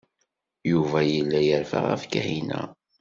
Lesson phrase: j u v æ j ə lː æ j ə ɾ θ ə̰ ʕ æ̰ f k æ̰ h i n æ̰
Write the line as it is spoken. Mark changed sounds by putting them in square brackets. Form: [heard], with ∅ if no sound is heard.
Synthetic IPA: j u v æ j ə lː æ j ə ɾ [f] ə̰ [ʁ] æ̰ f k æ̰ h i n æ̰